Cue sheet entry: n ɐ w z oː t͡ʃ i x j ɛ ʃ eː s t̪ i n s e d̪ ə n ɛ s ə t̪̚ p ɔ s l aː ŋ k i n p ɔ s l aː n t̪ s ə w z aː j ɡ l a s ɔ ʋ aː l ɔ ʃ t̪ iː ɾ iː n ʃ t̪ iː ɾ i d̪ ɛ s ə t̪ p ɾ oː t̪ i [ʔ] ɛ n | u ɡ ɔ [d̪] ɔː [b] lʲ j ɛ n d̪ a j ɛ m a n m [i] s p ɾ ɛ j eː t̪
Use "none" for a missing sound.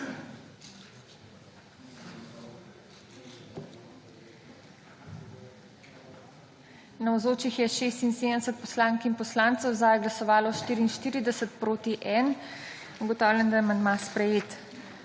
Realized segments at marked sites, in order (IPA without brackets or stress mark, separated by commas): ʔ, t̪, w, a